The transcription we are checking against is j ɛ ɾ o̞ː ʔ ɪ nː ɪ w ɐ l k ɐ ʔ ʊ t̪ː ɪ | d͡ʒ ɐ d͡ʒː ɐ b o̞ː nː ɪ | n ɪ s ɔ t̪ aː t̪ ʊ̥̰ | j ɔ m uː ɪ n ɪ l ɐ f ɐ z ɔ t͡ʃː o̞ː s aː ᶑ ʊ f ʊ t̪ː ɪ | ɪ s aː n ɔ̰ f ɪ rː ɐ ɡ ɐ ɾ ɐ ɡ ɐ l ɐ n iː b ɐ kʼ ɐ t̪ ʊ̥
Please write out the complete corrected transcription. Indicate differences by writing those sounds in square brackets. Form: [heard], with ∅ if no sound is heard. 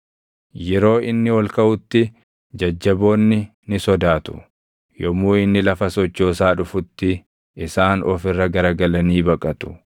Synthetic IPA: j ɛ ɾ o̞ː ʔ ɪ nː ɪ w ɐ l k ɐ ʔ ʊ t̪ː ɪ | d͡ʒ ɐ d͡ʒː ɐ b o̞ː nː ɪ | n ɪ s ɔ [d̪] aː t̪ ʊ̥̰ | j ɔ m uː ɪ [nː] ɪ l ɐ f ɐ [s] ɔ t͡ʃː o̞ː s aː ᶑ ʊ f ʊ t̪ː ɪ | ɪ s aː n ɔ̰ f ɪ rː ɐ ɡ ɐ ɾ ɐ ɡ ɐ l ɐ n iː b ɐ kʼ ɐ t̪ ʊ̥